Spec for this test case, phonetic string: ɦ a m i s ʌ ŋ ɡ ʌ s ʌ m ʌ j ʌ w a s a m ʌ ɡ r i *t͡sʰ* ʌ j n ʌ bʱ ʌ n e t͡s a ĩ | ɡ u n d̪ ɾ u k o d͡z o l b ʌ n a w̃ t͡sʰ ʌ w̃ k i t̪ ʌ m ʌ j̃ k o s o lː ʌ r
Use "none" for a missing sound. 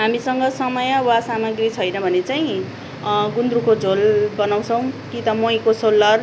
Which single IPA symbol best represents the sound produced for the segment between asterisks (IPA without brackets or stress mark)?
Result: t͡sʰ